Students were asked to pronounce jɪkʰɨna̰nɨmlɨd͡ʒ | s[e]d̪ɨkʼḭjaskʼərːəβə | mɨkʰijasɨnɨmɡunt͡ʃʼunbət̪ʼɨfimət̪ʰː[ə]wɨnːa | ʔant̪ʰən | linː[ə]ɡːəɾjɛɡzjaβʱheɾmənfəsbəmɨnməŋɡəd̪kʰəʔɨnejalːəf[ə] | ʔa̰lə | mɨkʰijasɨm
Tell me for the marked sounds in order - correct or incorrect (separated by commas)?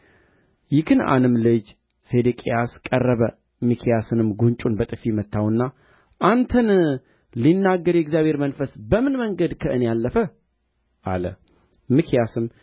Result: correct, incorrect, incorrect, correct